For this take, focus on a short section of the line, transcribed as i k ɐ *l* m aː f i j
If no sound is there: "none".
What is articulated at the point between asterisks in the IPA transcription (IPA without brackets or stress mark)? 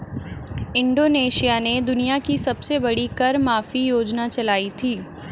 ɾ